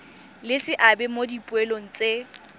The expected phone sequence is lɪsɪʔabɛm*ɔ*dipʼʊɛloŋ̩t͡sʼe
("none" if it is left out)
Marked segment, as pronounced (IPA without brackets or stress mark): o